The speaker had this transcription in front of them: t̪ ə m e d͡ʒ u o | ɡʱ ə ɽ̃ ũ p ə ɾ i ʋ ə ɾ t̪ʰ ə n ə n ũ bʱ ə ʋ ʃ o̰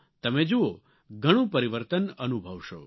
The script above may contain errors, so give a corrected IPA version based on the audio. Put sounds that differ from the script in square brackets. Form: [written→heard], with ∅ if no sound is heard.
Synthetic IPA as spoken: t̪ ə m e d͡ʒ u o | ɡʱ ə ɽ̃ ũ p ə ɾ i ʋ ə ɾ [t̪ʰ→t̪] ə n ə n [ũ→u] bʱ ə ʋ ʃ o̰